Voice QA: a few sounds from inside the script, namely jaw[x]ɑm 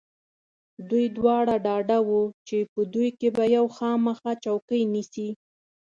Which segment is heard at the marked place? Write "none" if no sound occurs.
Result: x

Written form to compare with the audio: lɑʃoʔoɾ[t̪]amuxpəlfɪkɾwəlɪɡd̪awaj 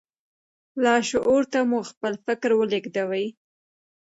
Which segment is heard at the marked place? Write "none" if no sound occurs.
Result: t̪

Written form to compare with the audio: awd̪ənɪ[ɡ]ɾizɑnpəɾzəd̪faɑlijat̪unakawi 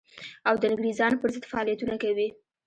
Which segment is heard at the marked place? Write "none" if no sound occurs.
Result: ɡ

